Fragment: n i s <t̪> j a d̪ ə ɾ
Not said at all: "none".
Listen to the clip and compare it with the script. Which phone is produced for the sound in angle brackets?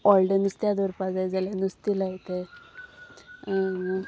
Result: t̪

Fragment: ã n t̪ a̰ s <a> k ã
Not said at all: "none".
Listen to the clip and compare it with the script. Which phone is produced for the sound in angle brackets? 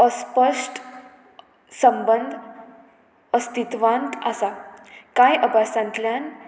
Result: a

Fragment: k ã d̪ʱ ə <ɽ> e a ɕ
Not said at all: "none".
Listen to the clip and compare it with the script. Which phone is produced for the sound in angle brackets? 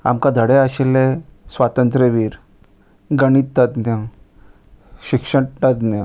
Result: ɽ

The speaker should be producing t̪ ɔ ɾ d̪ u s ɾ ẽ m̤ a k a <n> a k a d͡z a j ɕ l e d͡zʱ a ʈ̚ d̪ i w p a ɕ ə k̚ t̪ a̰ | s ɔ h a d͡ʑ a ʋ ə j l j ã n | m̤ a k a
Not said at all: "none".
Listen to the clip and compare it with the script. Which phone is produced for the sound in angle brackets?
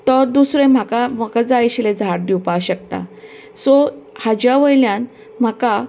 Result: m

